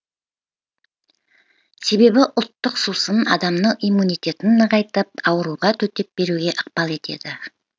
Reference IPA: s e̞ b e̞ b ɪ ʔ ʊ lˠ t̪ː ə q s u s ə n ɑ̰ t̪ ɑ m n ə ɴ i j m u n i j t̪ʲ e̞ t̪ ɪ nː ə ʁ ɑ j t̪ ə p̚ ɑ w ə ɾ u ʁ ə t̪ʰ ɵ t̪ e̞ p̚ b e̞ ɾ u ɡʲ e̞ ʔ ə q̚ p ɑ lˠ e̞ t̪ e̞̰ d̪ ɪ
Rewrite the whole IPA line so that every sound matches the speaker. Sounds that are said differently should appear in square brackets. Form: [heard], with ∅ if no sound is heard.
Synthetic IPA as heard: s e̞ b e̞ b ɪ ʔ ʊ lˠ t̪ː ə q s u s ə n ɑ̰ [d̪] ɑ m n ə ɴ i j m u n i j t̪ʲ e̞ t̪ ɪ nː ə ʁ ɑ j t̪ ə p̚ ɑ w ə ɾ u ʁ [ɑ] t̪ʰ ɵ t̪ e̞ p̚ b e̞ ɾ u ɡʲ e̞ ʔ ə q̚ p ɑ lˠ e̞ t̪ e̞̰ d̪ ɪ

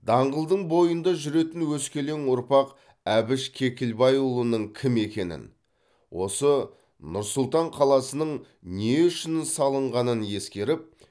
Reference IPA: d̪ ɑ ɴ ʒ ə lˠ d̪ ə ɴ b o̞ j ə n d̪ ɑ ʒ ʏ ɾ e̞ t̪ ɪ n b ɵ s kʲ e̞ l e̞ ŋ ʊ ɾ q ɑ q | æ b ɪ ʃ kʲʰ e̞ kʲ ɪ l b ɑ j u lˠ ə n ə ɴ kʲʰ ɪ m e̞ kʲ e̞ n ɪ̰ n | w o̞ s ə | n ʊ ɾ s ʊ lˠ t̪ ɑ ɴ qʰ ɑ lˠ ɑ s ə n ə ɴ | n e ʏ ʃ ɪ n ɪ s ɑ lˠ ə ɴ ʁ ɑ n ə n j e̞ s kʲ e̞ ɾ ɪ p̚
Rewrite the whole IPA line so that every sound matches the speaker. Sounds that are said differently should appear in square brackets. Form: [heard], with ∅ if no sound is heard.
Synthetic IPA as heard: d̪ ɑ ɴ [ʁ] ə lˠ d̪ ə ɴ b o̞ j ə n d̪ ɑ ʒ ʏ ɾ e̞ t̪ ɪ n [w] ɵ s kʲ e̞ l e̞ ŋ ʊ ɾ [p] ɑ q | æ b ɪ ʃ kʲʰ e̞ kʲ ɪ l b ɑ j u lˠ ə n ə ɴ kʲʰ ɪ m e̞ kʲ e̞ n ɪ̰ n | w o̞ s ə | n ʊ ɾ s ʊ lˠ t̪ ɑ ɴ qʰ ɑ lˠ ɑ s ə n ə ɴ | n e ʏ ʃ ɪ n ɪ s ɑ lˠ ə ɴ ʁ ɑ n ə n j e̞ s kʲ e̞ ɾ ɪ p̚

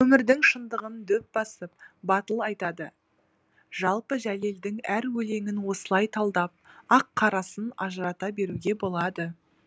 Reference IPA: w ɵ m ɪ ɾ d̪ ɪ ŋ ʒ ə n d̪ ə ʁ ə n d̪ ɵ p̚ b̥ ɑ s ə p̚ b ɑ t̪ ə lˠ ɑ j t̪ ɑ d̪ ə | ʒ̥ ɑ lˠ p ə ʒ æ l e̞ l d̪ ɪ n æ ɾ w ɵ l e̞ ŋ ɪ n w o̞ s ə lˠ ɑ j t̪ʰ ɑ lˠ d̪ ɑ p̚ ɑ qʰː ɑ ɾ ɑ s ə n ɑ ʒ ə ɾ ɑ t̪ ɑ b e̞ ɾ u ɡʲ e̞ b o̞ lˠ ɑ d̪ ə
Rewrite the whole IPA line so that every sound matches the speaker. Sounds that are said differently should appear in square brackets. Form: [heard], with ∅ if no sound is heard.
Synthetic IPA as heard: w ɵ m ɪ ɾ d̪ ɪ ŋ [ʃ] ə n d̪ ə ʁ ə n d̪ ɵ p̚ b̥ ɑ s ə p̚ b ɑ t̪ ə lˠ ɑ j t̪ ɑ d̪ ə | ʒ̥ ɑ lˠ p ə ʒ æ l e̞ l d̪ ɪ [ŋ] æ ɾ w ɵ l e̞ ŋ ɪ n w o̞ s ə lˠ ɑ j t̪ʰ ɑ lˠ d̪ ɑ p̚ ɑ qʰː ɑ ɾ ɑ s ə n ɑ ʒ ə ɾ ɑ t̪ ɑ b e̞ ɾ u ɡʲ e̞ b o̞ lˠ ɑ d̪ ə

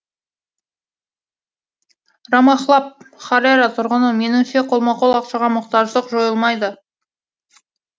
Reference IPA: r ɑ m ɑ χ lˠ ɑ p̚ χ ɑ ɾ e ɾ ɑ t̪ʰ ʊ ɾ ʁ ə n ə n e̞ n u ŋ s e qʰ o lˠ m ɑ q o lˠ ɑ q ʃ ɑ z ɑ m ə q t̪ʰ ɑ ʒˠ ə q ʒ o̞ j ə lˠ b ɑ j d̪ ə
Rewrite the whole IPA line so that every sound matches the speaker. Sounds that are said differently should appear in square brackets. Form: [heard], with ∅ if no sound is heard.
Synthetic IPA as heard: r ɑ m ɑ χ lˠ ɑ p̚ χ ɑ ɾ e ɾ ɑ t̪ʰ ʊ ɾ ʁ ə n ə [m] e̞ n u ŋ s e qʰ o lˠ m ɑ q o lˠ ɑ q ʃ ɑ [ʁ] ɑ m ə q [t̪] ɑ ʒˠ ə q ʒ o̞ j ə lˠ [m] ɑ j d̪ ə

